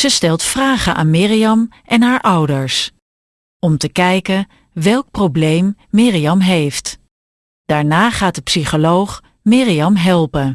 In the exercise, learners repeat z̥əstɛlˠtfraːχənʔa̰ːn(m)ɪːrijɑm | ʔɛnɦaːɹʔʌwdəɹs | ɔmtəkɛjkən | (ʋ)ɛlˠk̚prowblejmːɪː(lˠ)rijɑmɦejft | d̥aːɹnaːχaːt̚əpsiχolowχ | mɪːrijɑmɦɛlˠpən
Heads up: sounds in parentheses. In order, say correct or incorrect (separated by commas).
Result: correct, correct, incorrect